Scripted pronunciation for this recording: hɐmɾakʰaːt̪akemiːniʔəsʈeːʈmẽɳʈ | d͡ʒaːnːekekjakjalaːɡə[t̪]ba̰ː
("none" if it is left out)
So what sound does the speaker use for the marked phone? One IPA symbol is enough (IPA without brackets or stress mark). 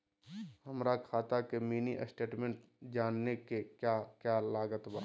t̪